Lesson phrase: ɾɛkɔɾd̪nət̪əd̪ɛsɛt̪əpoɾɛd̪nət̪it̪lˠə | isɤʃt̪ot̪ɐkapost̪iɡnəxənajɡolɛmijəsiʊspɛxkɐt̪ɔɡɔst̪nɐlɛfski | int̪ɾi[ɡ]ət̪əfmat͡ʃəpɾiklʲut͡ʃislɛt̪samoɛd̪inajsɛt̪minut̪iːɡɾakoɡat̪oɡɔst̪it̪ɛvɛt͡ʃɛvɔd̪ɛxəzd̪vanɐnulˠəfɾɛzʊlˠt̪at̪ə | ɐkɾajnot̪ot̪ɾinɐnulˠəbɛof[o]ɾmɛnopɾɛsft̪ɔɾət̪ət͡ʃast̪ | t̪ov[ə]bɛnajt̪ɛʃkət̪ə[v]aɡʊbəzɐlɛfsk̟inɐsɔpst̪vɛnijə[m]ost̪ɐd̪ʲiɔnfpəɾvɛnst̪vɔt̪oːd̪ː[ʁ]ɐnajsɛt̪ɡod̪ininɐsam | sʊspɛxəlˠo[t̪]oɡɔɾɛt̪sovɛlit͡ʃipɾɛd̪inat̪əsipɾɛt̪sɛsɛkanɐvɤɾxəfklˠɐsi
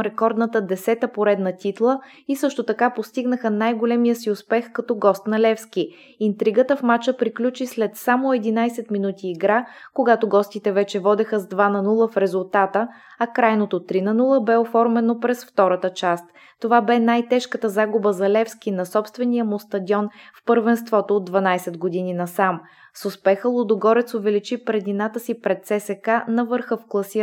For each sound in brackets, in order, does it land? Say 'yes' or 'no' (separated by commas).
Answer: yes, no, no, no, yes, no, no